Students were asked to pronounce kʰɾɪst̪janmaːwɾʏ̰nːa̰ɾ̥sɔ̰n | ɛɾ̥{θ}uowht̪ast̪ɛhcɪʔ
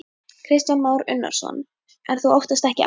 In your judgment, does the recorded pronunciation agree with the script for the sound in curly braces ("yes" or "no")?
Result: yes